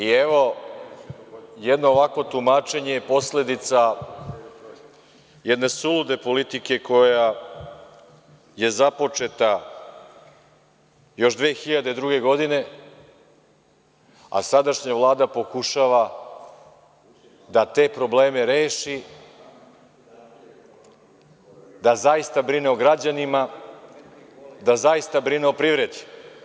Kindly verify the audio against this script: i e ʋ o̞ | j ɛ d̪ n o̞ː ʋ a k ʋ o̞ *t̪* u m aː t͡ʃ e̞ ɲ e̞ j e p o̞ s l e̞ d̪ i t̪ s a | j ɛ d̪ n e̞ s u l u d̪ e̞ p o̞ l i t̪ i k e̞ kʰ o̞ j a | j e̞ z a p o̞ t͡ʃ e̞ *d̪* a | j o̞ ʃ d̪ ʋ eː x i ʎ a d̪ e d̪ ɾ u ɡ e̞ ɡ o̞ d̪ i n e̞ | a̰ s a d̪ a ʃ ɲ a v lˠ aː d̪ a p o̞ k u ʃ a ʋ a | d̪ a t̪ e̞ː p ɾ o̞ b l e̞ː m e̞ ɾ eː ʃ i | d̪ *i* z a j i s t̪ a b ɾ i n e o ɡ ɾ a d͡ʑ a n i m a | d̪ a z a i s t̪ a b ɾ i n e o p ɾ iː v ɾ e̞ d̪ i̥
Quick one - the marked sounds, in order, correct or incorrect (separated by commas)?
correct, incorrect, incorrect